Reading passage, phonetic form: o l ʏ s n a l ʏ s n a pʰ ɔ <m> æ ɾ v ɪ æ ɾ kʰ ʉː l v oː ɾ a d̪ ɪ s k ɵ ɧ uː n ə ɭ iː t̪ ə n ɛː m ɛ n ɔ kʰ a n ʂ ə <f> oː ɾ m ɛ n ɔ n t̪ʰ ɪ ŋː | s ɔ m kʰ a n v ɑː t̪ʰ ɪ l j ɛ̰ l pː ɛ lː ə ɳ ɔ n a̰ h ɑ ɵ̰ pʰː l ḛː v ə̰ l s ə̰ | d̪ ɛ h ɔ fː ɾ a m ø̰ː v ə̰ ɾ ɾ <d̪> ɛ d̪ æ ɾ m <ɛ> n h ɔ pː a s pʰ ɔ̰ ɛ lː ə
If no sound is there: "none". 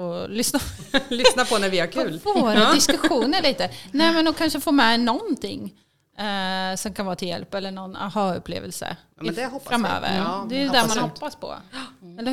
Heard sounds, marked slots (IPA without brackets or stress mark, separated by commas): n, f, d̪, a